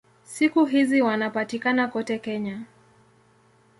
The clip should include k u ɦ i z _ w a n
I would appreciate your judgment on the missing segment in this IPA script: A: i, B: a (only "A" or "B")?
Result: A